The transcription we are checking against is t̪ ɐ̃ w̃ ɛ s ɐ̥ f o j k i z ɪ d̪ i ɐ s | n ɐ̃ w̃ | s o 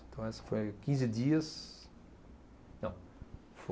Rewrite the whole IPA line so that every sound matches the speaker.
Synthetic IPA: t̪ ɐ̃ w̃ ɛ s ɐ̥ f o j k ĩ z ɪ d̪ i ɐ s | n ɐ̃ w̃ | f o